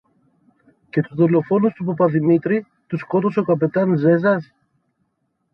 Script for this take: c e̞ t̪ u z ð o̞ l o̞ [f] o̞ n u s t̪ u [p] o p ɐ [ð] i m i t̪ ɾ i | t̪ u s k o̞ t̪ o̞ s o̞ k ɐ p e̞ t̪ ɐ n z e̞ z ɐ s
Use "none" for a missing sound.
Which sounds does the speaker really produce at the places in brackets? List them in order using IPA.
f, p, ð

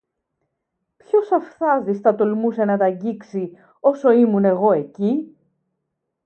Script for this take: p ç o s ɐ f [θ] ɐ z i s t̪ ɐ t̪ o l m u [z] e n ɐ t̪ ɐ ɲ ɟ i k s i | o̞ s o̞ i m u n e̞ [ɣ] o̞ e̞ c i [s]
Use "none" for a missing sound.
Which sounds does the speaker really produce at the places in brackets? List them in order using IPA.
θ, s, ɣ, none

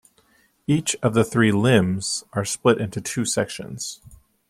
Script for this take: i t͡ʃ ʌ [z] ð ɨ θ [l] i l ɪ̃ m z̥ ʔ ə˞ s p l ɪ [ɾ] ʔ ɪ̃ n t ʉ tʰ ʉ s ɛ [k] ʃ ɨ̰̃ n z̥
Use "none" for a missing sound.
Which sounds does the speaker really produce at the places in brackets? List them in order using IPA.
v, ɹ, ɾ, k

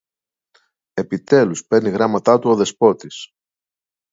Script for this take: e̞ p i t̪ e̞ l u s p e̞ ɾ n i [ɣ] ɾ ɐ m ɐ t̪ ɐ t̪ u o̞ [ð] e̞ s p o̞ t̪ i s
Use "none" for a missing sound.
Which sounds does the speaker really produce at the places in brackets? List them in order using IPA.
ɣ, ð

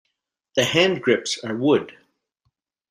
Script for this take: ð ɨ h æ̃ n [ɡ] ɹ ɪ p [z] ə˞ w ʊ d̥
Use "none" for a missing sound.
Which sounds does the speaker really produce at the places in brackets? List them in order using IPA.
ɡ, s

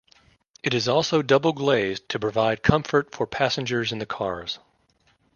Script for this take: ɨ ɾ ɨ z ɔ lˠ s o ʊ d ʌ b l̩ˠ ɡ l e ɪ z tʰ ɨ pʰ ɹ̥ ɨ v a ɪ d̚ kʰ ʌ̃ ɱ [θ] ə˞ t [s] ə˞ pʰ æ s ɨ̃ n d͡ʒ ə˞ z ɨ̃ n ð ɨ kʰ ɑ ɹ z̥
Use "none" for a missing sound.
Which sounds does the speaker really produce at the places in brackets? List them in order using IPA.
f, f

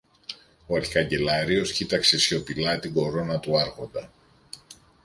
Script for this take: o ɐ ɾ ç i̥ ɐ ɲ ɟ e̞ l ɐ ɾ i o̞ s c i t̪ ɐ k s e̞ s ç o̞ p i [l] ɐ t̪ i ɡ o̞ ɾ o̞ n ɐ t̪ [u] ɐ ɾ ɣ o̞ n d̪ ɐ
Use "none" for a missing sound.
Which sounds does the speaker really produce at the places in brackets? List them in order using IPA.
l, u

